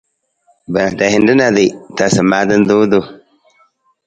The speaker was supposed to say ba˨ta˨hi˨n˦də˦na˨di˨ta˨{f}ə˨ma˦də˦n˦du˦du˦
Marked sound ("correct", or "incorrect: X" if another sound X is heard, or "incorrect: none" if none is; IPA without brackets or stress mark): incorrect: s